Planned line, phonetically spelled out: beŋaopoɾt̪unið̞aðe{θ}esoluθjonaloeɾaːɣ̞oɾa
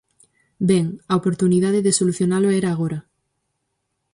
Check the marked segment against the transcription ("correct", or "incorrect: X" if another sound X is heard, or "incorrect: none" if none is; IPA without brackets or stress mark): incorrect: ð